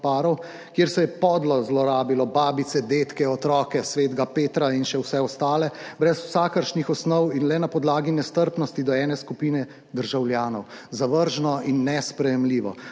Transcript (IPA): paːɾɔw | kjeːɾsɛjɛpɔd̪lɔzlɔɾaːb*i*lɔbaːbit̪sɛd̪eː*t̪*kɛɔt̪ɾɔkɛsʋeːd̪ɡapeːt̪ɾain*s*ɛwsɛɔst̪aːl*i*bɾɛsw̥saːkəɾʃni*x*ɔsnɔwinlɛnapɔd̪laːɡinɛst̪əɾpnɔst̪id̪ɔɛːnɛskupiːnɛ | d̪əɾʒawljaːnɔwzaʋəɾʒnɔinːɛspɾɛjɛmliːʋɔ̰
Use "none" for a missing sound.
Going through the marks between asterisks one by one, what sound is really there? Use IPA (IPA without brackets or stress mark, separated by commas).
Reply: i, t̪, ʃ, ɛ, x